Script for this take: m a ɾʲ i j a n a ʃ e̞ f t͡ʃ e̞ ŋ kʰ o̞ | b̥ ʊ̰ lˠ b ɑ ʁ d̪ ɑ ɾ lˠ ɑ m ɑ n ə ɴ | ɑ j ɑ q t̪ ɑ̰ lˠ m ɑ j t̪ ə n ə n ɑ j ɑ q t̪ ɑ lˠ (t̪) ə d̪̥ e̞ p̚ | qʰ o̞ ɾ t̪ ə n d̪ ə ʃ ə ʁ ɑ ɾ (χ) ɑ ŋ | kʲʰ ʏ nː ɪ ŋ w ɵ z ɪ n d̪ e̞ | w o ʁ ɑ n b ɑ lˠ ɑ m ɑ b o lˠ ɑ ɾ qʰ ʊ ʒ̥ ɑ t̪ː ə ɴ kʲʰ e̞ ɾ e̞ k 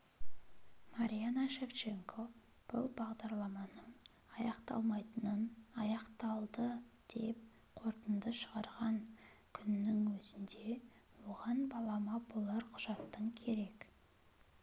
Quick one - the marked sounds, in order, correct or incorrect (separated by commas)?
incorrect, incorrect